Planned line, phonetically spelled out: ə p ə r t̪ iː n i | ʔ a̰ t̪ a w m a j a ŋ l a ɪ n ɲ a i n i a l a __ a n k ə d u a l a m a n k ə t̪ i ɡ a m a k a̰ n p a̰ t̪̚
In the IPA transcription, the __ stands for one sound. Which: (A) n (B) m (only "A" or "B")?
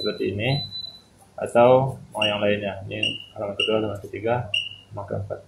B